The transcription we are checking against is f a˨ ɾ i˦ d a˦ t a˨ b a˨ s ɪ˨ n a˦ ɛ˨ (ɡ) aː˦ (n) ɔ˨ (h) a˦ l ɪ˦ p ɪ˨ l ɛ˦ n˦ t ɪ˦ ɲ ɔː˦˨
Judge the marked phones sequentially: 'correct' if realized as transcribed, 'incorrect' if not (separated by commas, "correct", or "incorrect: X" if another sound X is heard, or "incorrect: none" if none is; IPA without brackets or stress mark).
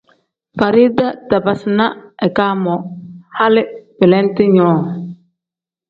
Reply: incorrect: k, incorrect: m, correct